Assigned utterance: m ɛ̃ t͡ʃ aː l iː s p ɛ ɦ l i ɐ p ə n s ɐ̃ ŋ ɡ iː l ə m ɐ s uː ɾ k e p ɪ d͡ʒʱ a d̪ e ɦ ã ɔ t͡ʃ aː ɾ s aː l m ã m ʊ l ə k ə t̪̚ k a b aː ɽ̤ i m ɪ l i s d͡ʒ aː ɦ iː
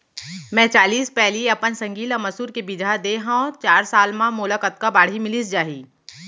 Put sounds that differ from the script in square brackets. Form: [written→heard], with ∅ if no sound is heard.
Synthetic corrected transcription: m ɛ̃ t͡ʃ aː l iː s p ɛ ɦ l i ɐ p ə n s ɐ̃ ŋ ɡ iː l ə m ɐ s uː ɾ k e [p→b] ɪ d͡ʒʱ a d̪ e ɦ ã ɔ t͡ʃ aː ɾ s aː l m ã m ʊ l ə k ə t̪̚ k a b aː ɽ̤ i m ɪ l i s d͡ʒ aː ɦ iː